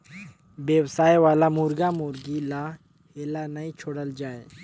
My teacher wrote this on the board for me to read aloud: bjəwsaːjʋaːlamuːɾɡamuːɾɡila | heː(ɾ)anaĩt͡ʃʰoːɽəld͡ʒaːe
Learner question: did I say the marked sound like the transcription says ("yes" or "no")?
no